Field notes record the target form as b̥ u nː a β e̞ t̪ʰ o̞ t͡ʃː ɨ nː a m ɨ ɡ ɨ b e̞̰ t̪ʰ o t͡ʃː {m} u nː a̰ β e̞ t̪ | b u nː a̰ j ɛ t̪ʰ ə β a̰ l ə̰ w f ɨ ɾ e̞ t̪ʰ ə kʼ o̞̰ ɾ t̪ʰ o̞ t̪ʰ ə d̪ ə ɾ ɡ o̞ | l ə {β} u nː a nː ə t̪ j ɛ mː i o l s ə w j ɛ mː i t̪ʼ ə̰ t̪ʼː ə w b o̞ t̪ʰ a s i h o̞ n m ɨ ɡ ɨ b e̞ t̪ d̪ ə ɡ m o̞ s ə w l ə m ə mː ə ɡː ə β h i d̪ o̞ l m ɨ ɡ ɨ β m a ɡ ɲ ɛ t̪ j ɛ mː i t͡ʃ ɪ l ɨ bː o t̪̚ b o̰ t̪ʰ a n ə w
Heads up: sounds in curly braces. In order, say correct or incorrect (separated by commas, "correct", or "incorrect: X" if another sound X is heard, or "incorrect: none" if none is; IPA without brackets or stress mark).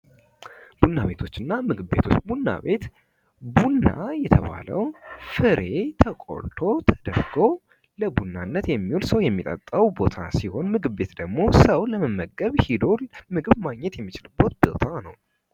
incorrect: b, incorrect: b